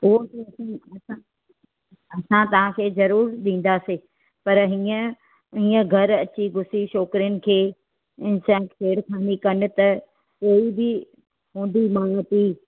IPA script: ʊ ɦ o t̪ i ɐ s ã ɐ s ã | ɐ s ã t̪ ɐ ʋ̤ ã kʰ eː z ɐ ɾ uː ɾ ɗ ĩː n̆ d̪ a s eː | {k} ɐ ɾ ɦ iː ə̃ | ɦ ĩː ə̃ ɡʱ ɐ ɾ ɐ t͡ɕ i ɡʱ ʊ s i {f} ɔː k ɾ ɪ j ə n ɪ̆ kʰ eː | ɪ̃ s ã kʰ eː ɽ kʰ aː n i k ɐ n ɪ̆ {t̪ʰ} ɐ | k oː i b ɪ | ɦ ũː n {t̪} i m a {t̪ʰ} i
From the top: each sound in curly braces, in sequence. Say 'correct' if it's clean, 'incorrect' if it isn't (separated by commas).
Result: incorrect, incorrect, incorrect, incorrect, incorrect